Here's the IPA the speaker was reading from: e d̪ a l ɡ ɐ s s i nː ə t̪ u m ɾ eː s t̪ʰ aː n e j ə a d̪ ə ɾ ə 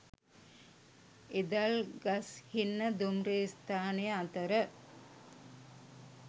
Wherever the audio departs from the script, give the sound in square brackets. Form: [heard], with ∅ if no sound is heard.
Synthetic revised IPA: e d̪ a l ɡ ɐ s [h] i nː ə [d̪] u m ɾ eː s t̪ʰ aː n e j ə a [t̪] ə ɾ ə

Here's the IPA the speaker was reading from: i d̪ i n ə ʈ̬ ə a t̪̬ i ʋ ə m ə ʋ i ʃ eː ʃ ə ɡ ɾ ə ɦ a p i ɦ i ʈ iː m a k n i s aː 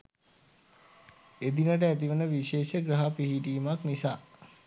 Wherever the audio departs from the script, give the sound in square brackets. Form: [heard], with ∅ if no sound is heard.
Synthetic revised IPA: [e] d̪ i n ə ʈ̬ ə [æ] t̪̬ i ʋ ə [n] ə ʋ i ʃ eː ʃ ə ɡ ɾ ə ɦ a p i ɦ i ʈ iː m a k n i s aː

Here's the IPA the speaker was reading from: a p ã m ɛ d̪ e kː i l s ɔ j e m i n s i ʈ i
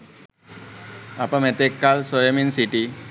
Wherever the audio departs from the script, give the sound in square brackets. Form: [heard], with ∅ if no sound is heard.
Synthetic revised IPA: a p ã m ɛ [t̪] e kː [a] l s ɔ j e m i n s i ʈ i

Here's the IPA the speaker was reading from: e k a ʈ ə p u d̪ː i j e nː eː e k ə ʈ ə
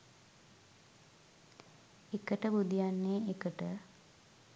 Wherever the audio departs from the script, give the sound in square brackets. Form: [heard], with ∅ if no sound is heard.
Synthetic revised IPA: e k [ə] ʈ ə [b] u [d̪] i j [a] nː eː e k ə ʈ ə

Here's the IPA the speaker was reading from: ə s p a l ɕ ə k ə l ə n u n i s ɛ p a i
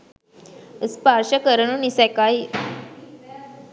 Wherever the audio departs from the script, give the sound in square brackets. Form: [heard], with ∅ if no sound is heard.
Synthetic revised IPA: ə s p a [ɾ] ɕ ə k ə [ɾ] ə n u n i s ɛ [k] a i

